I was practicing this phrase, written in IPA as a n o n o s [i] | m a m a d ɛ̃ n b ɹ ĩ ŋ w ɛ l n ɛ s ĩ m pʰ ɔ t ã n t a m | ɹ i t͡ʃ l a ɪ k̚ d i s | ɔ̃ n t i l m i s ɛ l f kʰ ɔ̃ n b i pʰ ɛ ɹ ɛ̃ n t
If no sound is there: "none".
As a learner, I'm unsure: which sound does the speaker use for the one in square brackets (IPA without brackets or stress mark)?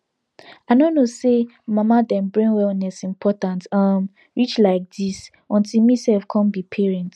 e